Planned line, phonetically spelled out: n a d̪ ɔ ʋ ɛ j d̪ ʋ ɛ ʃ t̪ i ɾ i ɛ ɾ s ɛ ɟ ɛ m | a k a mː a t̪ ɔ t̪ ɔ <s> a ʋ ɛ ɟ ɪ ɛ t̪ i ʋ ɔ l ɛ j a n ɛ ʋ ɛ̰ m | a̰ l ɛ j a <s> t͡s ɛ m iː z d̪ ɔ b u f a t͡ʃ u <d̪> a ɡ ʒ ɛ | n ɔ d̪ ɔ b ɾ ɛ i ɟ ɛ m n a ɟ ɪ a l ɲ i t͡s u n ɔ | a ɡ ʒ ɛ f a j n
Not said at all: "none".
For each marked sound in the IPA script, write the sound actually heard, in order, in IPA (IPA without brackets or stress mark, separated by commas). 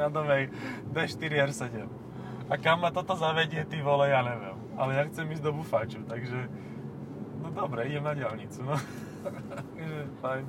z, x, t̪